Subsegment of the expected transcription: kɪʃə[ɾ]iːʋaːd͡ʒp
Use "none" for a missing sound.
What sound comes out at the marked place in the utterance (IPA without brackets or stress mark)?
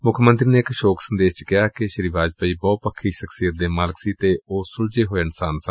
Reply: ɾ